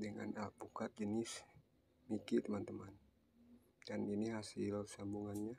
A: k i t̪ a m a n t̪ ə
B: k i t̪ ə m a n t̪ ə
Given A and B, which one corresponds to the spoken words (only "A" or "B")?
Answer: B